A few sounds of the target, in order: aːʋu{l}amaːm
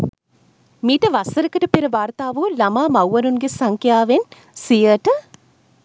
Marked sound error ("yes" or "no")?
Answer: no